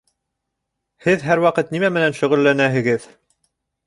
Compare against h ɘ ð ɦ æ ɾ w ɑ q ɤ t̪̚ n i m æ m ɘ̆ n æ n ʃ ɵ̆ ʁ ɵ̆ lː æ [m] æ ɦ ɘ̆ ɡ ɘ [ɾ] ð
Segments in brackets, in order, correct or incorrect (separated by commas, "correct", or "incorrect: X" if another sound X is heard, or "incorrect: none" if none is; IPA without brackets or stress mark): incorrect: n, incorrect: none